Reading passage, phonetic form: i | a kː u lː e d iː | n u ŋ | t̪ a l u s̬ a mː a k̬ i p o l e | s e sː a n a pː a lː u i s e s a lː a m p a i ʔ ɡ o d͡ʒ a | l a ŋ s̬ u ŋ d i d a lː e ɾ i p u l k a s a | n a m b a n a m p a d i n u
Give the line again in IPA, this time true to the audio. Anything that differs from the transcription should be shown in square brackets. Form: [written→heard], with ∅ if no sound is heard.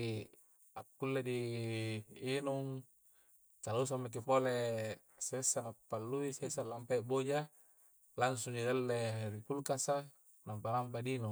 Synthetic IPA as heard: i | a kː u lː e d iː | n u ŋ | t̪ a l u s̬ a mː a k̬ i p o l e | s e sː a n a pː a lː u i s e s a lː a m p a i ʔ [ɡ→b] o d͡ʒ a | l a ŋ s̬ u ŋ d i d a lː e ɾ i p u l k a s a | n a m [b→p] a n a m p a d i n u